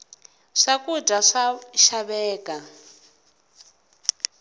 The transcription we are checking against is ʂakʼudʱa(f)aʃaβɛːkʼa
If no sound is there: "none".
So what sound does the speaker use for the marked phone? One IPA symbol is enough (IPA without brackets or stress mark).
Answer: ʂ